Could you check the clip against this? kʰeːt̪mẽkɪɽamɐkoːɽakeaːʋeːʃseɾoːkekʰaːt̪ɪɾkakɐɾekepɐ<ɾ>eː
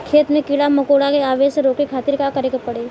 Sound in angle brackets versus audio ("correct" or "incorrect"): incorrect